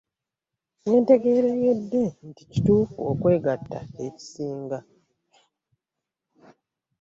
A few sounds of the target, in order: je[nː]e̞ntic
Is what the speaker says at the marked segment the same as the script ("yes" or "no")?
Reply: no